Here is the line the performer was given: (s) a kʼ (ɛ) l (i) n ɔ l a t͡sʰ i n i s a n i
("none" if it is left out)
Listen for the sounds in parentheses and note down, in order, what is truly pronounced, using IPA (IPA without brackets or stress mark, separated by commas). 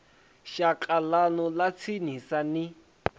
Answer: ʃ, a, a